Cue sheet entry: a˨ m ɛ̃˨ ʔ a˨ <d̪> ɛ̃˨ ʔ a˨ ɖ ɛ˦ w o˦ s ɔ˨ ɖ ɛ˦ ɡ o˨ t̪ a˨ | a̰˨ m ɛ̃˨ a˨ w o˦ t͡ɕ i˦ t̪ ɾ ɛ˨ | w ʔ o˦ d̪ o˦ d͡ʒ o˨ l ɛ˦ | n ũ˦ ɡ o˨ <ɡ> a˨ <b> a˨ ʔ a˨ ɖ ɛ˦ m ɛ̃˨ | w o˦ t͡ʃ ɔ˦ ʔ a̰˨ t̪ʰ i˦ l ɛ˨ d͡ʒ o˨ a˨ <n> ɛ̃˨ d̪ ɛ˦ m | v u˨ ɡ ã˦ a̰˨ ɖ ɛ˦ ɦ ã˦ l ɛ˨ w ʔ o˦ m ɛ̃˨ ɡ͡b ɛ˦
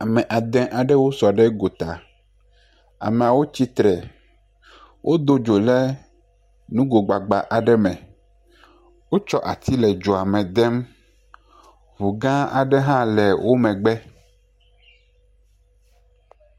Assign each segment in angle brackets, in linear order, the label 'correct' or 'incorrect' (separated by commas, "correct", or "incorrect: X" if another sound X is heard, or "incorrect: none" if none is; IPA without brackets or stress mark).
correct, incorrect: ɡ͡b, incorrect: ɡ͡b, incorrect: m